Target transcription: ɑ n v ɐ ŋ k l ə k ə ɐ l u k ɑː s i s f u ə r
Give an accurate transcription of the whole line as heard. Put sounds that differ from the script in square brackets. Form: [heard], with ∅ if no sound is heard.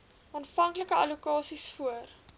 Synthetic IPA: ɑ n [f] ɐ ŋ k l ə k ə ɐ l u k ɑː s i s f u ə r